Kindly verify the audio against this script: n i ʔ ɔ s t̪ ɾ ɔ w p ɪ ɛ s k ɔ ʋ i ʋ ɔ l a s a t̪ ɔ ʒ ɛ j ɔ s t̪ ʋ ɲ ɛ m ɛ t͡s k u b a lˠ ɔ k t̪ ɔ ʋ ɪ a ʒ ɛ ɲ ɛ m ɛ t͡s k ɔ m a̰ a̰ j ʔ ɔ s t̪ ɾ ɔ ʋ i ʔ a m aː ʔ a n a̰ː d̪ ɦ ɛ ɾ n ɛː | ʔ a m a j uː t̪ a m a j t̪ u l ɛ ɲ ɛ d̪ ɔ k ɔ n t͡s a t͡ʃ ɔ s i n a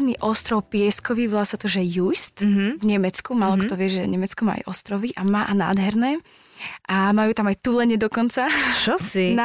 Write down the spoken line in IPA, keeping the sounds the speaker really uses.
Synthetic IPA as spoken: n i ʔ ɔ s t̪ ɾ ɔ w p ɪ ɛ s k ɔ ʋ i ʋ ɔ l a s a t̪ ɔ ʒ ɛ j u s t̪ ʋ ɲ ɛ m ɛ t͡s k u m a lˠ ɔ k t̪ ɔ ʋ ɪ ɛ ʒ ɛ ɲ ɛ m ɛ t͡s k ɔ m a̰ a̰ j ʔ ɔ s t̪ ɾ ɔ ʋ i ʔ a m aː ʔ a n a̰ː d̪ ɦ ɛ ɾ n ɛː | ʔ a m a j uː t̪ a m a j t̪ u l ɛ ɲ ɛ d̪ ɔ k ɔ n t͡s a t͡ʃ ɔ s i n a